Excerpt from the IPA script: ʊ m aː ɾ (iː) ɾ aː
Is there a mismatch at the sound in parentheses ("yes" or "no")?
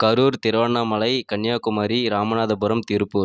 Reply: yes